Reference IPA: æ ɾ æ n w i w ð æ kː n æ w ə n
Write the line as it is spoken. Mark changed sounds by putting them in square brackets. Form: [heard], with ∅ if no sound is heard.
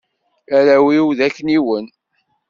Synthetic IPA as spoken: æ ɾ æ [∅] w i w ð æ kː n [i] w ə n